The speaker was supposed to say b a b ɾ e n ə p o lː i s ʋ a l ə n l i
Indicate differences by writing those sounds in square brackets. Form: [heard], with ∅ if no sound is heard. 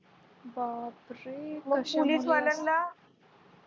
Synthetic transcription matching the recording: b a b ɾ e [m] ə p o [l] i s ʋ a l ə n l [a]